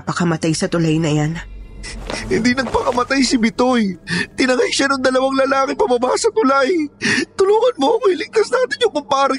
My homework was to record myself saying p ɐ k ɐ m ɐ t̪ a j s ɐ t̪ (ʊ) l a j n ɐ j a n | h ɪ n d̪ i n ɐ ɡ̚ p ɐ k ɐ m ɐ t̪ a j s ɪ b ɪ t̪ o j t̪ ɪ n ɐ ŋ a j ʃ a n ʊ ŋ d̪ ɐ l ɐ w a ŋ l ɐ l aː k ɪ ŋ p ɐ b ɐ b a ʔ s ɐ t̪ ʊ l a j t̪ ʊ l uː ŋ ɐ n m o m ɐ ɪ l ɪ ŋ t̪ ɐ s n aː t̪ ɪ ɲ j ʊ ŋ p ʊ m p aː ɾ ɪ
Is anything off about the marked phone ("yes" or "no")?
no